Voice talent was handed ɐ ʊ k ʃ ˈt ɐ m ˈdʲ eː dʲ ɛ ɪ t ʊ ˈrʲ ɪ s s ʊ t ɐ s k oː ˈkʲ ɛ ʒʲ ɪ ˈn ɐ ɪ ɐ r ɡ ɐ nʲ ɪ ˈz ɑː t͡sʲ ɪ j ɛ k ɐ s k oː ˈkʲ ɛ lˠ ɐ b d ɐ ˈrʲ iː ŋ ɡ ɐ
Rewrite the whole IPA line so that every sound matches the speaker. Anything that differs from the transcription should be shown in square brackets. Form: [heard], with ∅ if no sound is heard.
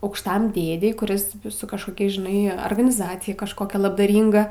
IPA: ɐ ʊ k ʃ ˈt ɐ m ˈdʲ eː dʲ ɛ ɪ [k] ʊ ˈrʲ ɪ s s ʊ [k] ɐ [ʃ] k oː ˈkʲ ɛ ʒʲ ɪ ˈn ɐ ɪ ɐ r ɡ ɐ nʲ ɪ ˈz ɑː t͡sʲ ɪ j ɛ k ɐ [ʃ] k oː ˈkʲ ɛ lˠ ɐ b d ɐ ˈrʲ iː ŋ ɡ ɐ